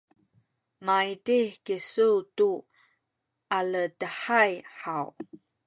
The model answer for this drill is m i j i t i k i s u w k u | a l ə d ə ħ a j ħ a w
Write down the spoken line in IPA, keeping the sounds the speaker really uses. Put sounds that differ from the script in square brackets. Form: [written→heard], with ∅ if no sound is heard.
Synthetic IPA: m [i→a] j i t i k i s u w [k→t] u | a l ə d ə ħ a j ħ a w